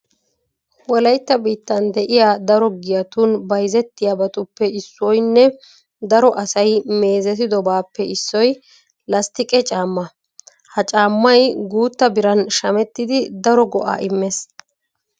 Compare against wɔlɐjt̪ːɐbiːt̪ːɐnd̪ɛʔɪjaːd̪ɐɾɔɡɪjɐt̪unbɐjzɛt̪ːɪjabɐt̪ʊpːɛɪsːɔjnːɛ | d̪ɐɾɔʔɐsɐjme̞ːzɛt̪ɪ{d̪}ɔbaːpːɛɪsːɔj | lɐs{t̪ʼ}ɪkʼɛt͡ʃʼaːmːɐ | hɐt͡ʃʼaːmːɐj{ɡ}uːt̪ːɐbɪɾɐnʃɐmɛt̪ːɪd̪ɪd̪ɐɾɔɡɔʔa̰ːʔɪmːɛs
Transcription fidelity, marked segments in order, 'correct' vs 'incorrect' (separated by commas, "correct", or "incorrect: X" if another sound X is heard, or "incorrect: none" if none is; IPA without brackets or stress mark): correct, incorrect: t̪, correct